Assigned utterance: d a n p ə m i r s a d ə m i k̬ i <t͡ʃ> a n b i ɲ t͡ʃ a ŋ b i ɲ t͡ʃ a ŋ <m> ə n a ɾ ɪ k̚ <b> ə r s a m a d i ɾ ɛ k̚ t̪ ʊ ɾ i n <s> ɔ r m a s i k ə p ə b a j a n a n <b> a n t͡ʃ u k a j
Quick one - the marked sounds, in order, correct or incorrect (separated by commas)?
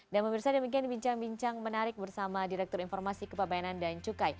incorrect, correct, correct, incorrect, incorrect